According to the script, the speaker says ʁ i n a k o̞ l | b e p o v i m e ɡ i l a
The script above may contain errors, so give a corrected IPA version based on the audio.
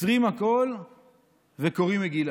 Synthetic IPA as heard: ʁ i m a k o̞ l | v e k o ʁ i m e ɡ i l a